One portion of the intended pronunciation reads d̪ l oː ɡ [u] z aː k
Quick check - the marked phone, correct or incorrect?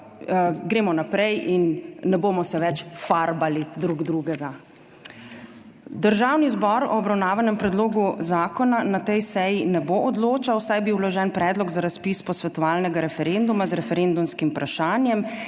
correct